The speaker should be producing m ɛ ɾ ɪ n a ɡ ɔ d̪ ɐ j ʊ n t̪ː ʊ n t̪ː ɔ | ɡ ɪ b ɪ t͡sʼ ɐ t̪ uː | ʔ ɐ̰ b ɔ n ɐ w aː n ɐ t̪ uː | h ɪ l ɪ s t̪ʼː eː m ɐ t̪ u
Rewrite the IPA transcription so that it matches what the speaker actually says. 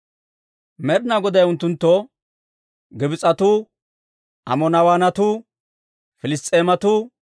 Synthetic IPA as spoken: m ɛ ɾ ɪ n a ɡ ɔ d̪ ɐ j ʊ n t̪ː ʊ n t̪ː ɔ | ɡ ɪ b ɪ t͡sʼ ɐ t̪ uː | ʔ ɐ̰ m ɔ n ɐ w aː n ɐ t̪ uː | f ɪ l ɪ s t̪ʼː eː m ɐ t̪ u

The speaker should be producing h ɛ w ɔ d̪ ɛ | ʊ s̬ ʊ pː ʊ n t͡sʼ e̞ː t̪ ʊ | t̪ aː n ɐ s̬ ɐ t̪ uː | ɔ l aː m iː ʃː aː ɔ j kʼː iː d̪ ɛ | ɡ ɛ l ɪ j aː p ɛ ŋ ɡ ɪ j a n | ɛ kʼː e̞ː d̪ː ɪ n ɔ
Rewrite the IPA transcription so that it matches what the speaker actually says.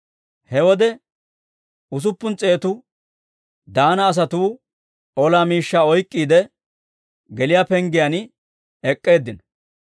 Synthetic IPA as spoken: h ɛ w ɔ d̪ ɛ | ʊ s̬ ʊ pː ʊ n t͡sʼ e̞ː t̪ ʊ | d̪ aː n ɐː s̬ ɐ t̪ uː | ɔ l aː m iː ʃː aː ɔ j kʼː iː d̪ ɛ | ɡ ɛ l ɪ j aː p ɛ ŋ ɡ ɪ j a n | ɛ kʼː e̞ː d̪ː ɪ n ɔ

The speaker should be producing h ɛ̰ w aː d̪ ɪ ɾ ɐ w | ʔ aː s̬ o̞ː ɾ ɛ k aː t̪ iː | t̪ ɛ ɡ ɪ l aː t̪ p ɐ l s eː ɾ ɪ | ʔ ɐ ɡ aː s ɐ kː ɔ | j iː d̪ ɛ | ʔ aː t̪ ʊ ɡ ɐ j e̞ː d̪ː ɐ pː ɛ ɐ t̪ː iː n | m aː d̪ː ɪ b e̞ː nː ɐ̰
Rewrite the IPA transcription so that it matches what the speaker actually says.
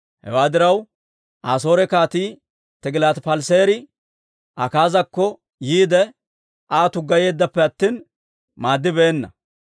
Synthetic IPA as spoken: h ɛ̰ w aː d̪ ɪ ɾ ɐ w | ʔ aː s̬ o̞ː ɾ ɛ k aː t̪ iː | t̪ ɛ ɡ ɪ l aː t̪ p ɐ l s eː ɾ ɪ | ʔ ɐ k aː z ɐ kː ɔ | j iː d̪ ɛ | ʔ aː t̪ ʊ ɡ ɐ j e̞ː d̪ː ɐ pː ɛ ɐ t̪ː iː n | m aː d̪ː ɪ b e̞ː nː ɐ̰

